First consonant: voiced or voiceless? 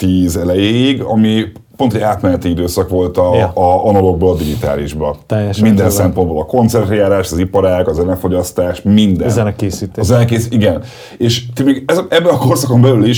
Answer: voiceless